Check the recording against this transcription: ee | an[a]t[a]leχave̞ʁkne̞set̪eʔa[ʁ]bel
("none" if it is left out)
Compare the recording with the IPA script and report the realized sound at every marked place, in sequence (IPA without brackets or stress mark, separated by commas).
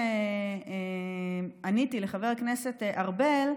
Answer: i, i, ʁ